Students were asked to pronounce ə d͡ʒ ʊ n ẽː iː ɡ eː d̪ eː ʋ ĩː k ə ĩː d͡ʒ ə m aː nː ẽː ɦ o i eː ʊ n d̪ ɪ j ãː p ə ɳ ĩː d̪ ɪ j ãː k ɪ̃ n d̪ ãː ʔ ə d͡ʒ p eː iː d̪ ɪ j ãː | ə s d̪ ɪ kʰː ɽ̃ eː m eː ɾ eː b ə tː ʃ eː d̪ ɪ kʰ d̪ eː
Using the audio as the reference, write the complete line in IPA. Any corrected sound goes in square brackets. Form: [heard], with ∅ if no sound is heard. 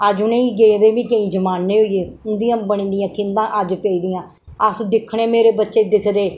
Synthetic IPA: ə d͡ʒ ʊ n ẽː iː ɡ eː d̪ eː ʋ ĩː k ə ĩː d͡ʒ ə m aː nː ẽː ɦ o i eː ʊ n d̪ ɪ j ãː [b] ə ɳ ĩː d̪ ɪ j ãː k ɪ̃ n d̪ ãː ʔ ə d͡ʒ p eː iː d̪ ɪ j ãː | ə s d̪ ɪ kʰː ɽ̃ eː m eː ɾ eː b ə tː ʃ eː d̪ ɪ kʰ d̪ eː

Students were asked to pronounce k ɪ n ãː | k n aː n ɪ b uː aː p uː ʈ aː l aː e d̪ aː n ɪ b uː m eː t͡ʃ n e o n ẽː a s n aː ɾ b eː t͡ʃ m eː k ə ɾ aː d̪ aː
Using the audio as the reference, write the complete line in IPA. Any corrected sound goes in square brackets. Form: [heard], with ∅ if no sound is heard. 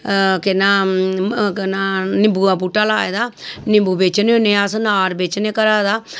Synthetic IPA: k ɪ n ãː | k n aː n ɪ b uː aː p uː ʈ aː l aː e d̪ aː n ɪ b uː [b] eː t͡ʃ n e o n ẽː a s n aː ɾ b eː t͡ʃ [n] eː k ə ɾ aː d̪ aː

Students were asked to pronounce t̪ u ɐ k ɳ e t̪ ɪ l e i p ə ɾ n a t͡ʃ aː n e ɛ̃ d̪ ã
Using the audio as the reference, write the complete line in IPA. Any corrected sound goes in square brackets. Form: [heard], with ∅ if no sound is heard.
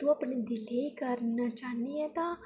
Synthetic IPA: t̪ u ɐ [p] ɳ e [d̪] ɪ l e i [k] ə ɾ n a t͡ʃ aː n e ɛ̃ [t̪] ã

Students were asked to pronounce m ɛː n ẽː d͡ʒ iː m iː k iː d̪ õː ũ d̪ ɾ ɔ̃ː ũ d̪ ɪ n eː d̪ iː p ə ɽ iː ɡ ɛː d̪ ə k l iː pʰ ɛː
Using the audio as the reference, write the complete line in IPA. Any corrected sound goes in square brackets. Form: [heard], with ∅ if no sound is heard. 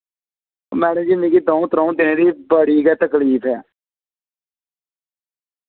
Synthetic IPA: m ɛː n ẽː d͡ʒ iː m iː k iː d̪ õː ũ [t̪] ɾ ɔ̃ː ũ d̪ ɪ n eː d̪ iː [b] ə ɽ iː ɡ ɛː [t̪] ə k l iː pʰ ɛː

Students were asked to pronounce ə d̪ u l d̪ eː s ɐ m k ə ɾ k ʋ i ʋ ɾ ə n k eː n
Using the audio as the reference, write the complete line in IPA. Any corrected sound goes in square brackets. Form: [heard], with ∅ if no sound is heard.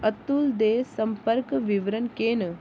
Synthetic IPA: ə [t̪] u l d̪ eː s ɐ m [p] ə ɾ k ʋ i ʋ ɾ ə n k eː n

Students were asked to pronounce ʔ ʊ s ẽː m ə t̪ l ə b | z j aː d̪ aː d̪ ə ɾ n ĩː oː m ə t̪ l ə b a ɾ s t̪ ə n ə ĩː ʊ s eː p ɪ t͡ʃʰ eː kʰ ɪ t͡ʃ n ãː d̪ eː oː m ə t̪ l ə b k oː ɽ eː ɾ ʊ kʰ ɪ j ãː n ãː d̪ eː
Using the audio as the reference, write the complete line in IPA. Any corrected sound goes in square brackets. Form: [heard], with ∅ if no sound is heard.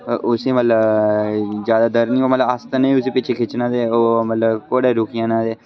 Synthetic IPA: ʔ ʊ s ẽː m ə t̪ l ə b | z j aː d̪ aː d̪ ə ɾ n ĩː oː m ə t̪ l ə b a [∅] s t̪ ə n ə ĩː ʊ s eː p ɪ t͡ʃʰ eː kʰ ɪ t͡ʃ n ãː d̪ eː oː m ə t̪ l ə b k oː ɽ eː ɾ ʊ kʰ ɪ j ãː n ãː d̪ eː

